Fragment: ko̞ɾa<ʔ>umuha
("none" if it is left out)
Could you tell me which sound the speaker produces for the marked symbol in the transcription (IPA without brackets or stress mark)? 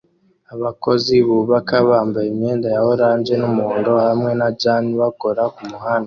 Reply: k